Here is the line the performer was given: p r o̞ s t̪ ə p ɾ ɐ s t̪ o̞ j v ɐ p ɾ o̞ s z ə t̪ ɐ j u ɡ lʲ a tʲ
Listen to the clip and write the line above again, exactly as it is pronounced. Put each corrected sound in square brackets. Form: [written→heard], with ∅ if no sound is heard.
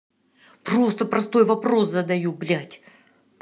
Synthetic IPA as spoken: p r o̞ s t̪ ə p ɾ ɐ s t̪ o̞ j v ɐ p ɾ o̞ s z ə [t̪→d̪] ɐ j u [ɡ→b] lʲ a tʲ